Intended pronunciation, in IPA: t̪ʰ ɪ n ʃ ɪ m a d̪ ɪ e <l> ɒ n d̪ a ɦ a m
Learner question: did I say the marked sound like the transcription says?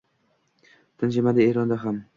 no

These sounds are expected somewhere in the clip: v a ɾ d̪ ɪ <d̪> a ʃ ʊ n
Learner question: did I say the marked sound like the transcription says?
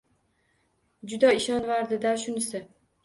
yes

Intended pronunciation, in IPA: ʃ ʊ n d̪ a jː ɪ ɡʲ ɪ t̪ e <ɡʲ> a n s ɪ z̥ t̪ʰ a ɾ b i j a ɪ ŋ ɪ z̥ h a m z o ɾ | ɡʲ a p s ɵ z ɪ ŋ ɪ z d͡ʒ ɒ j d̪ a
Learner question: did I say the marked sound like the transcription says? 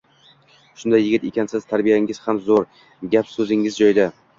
no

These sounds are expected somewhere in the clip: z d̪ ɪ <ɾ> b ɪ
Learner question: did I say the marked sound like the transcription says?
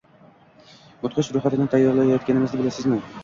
no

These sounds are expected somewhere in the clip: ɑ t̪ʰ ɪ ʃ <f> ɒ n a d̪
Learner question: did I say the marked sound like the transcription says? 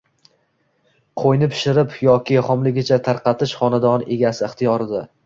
no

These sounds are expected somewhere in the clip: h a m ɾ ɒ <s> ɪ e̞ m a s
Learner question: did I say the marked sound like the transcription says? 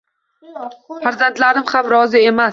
no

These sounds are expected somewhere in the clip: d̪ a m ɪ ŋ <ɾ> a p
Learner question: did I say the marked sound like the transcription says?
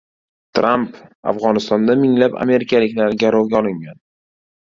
no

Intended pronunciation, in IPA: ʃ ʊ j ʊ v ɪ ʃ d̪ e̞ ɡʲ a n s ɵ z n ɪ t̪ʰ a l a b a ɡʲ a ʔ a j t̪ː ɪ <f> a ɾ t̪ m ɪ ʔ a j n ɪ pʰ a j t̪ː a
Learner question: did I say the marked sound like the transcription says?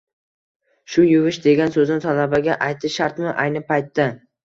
no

